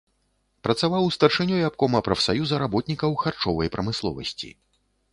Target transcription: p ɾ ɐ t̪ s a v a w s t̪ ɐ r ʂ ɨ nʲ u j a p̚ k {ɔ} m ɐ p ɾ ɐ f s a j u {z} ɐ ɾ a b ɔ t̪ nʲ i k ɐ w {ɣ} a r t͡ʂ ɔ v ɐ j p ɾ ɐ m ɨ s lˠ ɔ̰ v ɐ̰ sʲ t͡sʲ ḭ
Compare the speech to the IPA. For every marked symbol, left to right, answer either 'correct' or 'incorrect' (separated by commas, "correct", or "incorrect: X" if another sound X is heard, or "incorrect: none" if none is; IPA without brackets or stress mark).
correct, correct, incorrect: x